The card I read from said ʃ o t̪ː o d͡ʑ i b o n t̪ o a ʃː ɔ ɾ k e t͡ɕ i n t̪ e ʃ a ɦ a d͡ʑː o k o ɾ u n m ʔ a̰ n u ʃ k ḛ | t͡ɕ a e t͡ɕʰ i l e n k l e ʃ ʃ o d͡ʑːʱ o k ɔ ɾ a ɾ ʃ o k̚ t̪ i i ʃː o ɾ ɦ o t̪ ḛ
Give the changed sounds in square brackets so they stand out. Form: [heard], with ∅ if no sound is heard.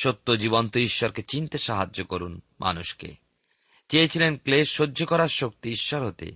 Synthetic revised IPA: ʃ o t̪ː o d͡ʑ i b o n t̪ o [i] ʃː ɔ ɾ k e t͡ɕ i n t̪ e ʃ a ɦ a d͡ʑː o k o ɾ u n m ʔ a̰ n u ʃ k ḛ | t͡ɕ [e] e t͡ɕʰ i l e n k l e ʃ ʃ o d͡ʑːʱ o k ɔ ɾ a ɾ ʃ o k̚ t̪ i i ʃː [ɔ] ɾ ɦ o t̪ ḛ